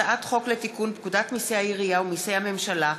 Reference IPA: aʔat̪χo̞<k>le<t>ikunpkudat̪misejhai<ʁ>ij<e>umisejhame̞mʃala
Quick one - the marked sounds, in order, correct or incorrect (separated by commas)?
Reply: correct, correct, correct, incorrect